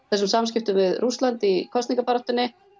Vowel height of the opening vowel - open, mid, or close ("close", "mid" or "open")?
mid